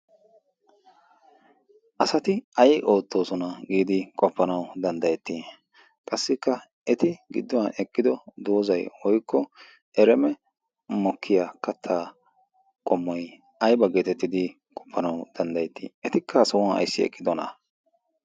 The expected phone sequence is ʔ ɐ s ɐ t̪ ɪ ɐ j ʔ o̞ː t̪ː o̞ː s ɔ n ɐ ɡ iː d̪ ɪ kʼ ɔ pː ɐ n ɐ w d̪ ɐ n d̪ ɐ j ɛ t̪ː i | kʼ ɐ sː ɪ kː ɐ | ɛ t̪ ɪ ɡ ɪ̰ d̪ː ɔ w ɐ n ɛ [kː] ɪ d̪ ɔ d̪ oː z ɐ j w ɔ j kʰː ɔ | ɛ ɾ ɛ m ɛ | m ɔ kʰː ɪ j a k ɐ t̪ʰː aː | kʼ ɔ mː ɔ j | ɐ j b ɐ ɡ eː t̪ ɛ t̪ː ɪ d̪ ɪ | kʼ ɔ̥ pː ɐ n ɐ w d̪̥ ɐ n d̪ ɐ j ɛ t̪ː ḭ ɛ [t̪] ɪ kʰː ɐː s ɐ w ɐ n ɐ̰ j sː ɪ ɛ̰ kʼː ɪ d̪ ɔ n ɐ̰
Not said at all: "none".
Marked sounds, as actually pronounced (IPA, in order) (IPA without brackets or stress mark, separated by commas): kʼː, t̪